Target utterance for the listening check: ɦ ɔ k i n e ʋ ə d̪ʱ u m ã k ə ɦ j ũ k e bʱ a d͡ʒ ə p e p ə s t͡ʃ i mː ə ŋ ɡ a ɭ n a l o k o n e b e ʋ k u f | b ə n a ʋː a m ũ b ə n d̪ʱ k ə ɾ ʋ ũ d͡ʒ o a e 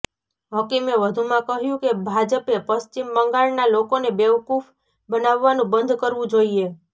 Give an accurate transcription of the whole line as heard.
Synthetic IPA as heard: ɦ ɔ k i m e ʋ ə d̪ʱ u m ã k ə ɦ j ũ k e bʱ a d͡ʒ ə p e p ə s t͡ʃ i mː ə ŋ ɡ a ɭ n a l o k o n e b e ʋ k u f | b ə n a ʋː a n ũ b ə n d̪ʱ k ə ɾ ʋ ũ d͡ʒ o i e